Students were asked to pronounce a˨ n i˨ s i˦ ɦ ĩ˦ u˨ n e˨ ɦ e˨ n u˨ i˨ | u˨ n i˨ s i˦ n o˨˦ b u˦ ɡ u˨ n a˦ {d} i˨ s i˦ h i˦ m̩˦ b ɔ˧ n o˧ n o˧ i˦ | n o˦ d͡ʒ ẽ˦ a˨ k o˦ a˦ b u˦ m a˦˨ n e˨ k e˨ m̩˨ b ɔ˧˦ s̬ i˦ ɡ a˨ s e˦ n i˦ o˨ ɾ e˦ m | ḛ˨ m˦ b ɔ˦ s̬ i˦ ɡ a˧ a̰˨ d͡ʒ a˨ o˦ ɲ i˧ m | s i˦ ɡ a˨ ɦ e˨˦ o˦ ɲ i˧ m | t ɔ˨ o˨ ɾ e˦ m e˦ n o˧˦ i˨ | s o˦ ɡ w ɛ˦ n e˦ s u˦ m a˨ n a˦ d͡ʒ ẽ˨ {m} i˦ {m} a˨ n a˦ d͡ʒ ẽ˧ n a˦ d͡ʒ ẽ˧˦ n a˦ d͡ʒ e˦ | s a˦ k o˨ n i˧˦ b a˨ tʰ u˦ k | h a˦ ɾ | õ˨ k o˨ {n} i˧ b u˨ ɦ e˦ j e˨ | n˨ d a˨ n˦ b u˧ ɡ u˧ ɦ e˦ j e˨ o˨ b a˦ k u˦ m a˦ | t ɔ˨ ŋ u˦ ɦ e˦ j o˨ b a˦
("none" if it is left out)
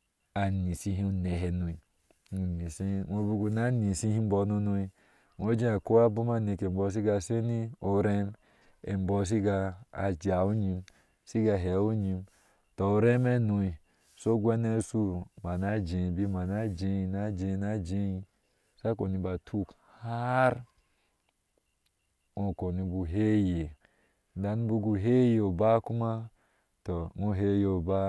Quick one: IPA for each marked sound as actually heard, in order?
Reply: n, b, m, n

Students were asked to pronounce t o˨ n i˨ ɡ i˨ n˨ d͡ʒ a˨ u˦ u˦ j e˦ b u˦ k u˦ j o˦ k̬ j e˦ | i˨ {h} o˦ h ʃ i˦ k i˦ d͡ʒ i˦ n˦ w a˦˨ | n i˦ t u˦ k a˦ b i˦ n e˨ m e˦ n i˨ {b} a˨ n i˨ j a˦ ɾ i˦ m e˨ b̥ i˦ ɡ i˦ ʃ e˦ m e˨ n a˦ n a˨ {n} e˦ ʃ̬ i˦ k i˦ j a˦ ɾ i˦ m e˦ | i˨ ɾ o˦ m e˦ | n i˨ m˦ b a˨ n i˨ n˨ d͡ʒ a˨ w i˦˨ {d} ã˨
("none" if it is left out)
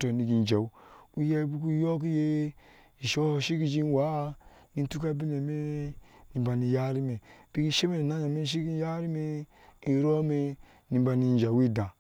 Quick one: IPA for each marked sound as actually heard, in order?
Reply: ʃ, b, m, d

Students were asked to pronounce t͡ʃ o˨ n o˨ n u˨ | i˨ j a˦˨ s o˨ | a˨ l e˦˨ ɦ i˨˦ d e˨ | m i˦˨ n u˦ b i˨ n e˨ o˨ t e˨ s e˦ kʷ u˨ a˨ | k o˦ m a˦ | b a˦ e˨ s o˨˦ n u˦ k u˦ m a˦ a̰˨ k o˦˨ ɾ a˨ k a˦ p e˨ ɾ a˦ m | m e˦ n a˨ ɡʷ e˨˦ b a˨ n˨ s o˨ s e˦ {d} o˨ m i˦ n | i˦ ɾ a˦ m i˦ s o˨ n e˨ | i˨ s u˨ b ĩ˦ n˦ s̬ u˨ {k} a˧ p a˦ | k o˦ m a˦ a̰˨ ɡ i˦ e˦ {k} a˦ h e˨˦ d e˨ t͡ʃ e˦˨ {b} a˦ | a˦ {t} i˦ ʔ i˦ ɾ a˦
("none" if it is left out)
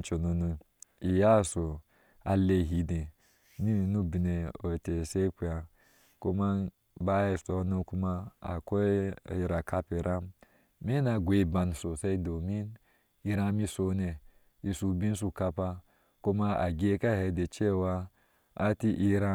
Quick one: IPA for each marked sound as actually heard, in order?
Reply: d, k, k, w, t

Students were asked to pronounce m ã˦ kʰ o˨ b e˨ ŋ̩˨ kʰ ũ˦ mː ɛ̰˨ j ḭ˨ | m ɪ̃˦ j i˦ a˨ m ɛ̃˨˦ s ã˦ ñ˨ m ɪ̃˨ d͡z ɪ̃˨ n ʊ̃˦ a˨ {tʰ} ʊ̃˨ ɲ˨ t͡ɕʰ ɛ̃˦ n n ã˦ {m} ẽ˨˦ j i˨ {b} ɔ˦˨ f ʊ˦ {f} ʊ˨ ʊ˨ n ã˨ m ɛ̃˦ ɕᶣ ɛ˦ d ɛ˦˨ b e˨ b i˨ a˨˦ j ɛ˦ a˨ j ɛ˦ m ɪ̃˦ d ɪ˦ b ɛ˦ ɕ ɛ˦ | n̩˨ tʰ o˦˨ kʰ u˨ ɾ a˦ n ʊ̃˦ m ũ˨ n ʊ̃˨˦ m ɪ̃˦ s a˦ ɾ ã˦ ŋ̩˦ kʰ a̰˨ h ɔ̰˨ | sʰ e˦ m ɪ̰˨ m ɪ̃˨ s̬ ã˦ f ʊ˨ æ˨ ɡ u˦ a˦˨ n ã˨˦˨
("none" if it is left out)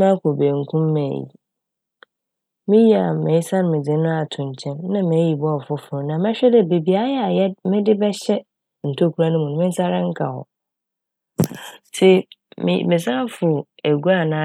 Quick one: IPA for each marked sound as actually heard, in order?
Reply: tʰ, m, b, f

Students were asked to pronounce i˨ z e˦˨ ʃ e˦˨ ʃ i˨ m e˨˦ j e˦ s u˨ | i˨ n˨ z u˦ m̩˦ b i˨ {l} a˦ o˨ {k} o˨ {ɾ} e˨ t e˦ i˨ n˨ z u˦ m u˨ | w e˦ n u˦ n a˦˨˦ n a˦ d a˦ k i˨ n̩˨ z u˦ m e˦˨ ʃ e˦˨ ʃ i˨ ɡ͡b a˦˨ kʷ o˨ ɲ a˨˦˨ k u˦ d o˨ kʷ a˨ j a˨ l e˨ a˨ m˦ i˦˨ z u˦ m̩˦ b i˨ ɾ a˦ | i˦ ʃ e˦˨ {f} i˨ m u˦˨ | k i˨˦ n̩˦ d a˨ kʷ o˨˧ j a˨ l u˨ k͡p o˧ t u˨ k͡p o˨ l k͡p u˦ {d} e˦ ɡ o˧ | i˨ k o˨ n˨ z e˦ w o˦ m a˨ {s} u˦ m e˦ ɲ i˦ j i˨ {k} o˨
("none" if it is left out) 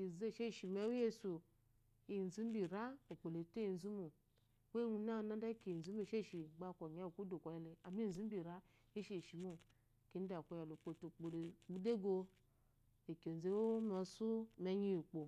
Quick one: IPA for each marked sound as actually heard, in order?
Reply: ɾ, k͡p, l, ʃ, d, s, k͡p

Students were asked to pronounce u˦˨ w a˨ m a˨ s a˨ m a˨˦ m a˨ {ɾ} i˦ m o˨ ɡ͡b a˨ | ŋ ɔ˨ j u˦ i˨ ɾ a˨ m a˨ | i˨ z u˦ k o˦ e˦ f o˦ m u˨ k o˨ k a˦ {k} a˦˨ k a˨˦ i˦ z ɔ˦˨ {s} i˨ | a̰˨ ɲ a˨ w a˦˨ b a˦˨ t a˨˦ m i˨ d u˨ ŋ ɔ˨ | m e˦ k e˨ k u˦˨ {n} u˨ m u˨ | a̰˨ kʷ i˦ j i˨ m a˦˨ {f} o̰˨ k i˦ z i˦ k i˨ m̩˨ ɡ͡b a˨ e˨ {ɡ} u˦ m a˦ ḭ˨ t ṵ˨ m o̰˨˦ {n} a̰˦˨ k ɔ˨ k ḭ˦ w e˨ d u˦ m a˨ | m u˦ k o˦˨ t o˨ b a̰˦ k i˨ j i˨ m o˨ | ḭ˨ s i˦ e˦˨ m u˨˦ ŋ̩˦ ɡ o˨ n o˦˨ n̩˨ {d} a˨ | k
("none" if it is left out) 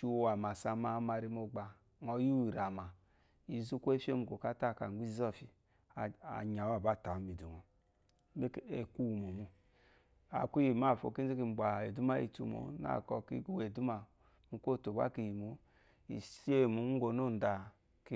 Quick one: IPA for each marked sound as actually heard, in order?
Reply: ɾ, t, f, m, f, d, n, d

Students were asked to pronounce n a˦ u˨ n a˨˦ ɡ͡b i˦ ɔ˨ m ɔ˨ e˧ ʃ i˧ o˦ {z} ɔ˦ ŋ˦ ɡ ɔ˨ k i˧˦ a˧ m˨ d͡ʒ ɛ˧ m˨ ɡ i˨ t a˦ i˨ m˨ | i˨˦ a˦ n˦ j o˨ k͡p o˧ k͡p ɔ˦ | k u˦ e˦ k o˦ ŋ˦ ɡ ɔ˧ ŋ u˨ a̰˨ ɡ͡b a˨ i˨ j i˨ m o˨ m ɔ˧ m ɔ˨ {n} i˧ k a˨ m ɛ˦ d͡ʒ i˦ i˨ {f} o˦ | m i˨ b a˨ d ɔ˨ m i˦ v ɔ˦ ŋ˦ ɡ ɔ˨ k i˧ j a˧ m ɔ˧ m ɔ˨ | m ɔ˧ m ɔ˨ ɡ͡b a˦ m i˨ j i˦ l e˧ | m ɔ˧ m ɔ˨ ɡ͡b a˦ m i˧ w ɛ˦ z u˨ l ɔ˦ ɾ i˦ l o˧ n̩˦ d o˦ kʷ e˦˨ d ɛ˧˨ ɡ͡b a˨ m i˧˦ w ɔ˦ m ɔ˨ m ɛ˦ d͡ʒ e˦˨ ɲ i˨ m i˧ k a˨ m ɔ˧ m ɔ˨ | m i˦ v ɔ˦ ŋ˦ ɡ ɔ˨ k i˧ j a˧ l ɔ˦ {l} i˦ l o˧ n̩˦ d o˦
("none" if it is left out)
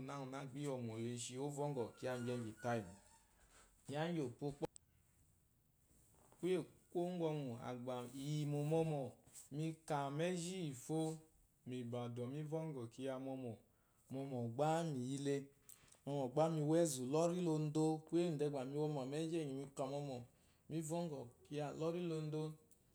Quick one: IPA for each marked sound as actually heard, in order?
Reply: v, m, f, ɾ

